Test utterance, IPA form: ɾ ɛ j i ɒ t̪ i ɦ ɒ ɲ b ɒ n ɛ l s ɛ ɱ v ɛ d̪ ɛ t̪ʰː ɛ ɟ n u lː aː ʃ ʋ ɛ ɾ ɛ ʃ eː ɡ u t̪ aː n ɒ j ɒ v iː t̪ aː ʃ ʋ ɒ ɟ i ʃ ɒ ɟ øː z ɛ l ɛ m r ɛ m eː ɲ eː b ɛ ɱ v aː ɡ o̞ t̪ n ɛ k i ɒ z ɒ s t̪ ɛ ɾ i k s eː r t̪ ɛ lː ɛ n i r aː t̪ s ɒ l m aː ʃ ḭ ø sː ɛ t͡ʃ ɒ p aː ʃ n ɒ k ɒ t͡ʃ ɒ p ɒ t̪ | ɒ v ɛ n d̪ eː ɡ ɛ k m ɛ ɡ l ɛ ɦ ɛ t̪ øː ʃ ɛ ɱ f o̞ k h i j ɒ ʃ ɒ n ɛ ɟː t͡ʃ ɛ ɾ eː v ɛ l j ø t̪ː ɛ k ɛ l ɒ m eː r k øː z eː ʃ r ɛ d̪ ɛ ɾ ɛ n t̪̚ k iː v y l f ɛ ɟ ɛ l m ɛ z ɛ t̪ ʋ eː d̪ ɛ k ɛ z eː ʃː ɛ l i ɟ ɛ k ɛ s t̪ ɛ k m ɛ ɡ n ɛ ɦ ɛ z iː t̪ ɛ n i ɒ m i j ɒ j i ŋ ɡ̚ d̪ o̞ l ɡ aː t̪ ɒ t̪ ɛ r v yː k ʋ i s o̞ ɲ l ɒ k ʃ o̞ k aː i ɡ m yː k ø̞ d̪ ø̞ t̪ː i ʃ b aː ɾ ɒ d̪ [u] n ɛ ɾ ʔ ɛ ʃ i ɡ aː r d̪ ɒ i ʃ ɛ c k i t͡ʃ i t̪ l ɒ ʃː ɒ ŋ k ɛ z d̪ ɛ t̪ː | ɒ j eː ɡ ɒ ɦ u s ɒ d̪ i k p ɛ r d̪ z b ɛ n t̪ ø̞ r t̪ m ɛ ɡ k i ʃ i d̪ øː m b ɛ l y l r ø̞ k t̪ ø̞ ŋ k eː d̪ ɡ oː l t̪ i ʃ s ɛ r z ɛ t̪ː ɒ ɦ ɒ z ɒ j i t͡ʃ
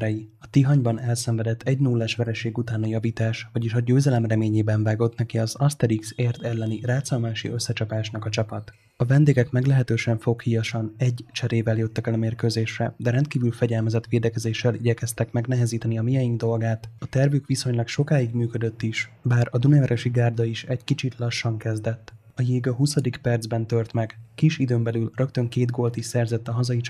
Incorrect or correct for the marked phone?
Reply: correct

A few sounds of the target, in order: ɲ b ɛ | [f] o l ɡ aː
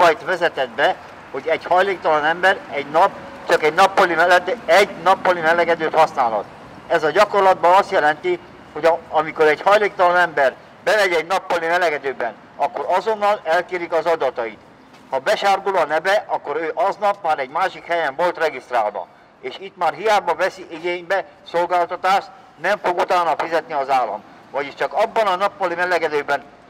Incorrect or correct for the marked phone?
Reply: incorrect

